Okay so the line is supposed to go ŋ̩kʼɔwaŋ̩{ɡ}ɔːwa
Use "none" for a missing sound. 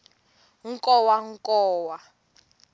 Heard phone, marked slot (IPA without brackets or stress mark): k